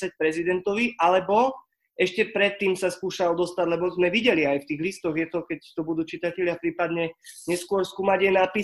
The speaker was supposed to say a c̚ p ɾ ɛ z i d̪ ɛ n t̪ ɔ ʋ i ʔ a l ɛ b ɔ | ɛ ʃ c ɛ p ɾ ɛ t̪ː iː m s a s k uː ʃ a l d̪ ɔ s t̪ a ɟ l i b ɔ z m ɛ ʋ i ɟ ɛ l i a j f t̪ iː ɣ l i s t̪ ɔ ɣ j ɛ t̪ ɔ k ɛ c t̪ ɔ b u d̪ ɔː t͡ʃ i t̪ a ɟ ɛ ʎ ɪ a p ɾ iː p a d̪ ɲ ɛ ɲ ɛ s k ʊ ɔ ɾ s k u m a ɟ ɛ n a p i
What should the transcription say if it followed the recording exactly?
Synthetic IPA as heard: a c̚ p ɾ ɛ z i d̪ ɛ n t̪ ɔ ʋ i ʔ a l ɛ b ɔ | ɛ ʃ c ɛ p ɾ ɛ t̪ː iː m s a s k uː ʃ a l d̪ ɔ s t̪ a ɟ l ɛ b ɔ z m ɛ ʋ i ɟ ɛ l i a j f t̪ iː ɣ l i s t̪ ɔ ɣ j ɛ t̪ ɔ k ɛ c t̪ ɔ b u d̪ uː t͡ʃ i t̪ a c ɛ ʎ ɪ a p ɾ iː p a d̪ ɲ ɛ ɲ ɛ s k ʊ ɔ ɾ s k uː m a ɟ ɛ n a p i